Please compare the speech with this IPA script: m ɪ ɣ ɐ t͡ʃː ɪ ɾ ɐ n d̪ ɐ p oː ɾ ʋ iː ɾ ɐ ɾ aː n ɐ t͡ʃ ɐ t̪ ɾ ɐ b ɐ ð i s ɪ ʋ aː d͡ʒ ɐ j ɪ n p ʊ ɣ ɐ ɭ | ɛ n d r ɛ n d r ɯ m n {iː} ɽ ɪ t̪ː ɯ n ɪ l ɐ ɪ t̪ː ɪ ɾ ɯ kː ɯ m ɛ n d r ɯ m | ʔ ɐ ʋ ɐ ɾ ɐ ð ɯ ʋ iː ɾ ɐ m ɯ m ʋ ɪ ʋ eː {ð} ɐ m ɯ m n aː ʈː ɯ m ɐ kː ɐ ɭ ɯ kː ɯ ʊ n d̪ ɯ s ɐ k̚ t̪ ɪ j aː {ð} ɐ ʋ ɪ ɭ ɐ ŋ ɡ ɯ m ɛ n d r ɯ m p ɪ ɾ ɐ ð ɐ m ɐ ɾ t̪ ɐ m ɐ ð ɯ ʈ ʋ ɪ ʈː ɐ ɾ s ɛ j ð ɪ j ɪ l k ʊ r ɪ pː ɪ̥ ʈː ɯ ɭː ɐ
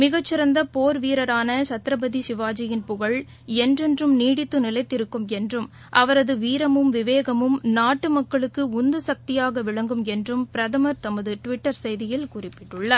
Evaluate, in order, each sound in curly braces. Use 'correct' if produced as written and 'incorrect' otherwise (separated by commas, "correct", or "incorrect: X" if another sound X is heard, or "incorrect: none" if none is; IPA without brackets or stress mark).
correct, incorrect: ɣ, incorrect: ɣ